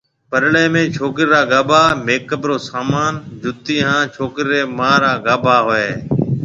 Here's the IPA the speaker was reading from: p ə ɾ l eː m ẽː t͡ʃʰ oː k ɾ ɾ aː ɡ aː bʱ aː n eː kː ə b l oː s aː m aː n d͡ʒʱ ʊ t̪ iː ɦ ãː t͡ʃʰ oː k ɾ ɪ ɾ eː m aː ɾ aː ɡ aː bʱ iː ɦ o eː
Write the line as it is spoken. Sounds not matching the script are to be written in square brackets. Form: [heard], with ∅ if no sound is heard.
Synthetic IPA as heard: p ə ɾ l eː m ẽː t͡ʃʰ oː k ɾ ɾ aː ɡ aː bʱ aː [m] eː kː ə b [ɾ] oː s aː m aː n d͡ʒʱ ʊ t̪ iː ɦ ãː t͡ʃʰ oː k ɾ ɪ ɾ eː m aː ɾ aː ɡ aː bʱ [aː] ɦ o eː